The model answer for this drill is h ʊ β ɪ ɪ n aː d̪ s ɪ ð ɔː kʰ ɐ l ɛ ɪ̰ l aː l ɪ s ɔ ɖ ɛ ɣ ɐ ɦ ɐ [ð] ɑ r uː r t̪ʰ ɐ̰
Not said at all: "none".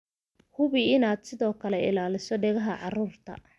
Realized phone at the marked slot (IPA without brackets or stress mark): ʕ